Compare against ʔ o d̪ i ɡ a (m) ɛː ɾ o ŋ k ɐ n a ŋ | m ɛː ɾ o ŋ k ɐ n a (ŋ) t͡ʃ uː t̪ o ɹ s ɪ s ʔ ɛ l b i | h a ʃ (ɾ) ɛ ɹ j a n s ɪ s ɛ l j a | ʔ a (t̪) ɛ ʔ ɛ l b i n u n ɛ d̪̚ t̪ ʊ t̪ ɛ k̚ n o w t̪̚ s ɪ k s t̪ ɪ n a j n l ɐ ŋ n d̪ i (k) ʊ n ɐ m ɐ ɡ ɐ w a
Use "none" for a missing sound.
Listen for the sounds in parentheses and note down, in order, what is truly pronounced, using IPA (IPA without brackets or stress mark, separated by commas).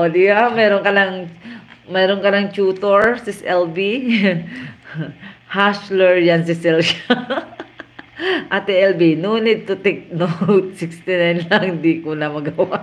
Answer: m, ŋ, l, t̪, k